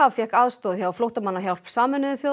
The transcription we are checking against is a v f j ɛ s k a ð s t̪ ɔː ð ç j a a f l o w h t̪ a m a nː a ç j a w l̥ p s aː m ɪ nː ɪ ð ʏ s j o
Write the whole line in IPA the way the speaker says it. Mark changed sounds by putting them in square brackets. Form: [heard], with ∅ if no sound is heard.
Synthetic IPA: a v f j ɛ [h] k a ð s t̪ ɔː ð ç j a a f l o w h t̪ a m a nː a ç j a w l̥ p s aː m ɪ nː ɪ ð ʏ [θ] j o